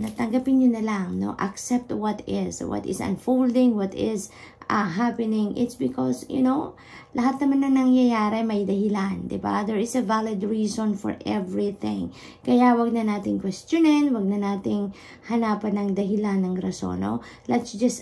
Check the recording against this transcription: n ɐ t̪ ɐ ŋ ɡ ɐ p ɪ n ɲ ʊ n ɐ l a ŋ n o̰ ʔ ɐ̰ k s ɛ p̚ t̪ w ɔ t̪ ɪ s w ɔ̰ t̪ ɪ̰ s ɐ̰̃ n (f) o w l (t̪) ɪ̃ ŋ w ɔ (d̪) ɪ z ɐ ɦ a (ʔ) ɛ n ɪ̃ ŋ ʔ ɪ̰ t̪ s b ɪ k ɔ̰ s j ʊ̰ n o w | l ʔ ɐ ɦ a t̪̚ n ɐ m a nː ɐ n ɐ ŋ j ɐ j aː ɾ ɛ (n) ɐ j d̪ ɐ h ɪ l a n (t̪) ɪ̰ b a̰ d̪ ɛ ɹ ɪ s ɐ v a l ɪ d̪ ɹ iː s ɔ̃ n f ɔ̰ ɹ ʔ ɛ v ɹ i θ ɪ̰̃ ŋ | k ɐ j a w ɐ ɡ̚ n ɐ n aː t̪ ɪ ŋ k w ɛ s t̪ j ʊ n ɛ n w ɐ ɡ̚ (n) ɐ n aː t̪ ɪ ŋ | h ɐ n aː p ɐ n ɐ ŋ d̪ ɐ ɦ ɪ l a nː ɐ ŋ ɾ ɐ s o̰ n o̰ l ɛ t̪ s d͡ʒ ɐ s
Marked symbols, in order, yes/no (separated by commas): yes, no, no, no, no, no, yes